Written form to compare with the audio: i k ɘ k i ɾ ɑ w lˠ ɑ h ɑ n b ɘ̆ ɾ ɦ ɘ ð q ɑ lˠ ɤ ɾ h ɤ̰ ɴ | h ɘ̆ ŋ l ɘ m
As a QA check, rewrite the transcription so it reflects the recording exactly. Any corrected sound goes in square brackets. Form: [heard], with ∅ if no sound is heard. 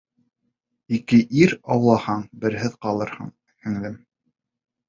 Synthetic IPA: i k ɘ [ʔ] i ɾ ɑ w lˠ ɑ h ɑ [ɴ] b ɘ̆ ɾ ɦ ɘ ð q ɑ lˠ ɤ ɾ h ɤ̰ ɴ | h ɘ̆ ŋ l ɘ m